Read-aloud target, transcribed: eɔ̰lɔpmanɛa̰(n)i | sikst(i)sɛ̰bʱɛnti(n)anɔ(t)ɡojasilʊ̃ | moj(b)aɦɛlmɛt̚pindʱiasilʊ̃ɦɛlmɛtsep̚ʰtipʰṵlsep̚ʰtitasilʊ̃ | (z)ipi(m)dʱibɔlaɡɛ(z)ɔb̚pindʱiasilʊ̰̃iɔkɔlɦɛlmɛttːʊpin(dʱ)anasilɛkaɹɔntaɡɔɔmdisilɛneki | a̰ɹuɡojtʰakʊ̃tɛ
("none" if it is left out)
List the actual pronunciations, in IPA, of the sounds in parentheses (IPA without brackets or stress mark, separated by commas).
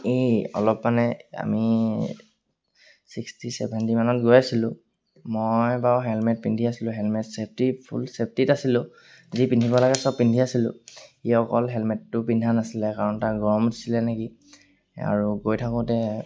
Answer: m, i, m, t, b, z, n, s, dʱ